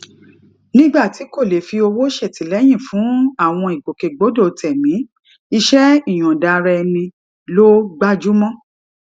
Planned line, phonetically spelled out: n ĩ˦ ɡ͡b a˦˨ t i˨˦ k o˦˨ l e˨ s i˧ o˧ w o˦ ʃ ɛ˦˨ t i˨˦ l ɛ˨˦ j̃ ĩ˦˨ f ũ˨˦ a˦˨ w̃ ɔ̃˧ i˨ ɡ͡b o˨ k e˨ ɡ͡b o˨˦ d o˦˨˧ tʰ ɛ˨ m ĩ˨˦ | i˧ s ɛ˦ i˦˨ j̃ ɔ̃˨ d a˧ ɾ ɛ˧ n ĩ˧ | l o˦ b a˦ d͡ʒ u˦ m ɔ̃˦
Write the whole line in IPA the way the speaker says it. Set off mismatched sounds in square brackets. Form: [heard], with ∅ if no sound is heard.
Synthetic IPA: n ĩ˦ ɡ͡b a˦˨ t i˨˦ k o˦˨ l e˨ [f] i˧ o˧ w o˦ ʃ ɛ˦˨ t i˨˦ l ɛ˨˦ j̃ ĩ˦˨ f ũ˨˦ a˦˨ w̃ ɔ̃˧ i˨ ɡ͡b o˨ k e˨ ɡ͡b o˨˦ d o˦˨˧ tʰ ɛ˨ m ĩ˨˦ | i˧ [ʃ] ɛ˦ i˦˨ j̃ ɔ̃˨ d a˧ ɾ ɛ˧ n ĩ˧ | l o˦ [ɡ͡b] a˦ d͡ʒ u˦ m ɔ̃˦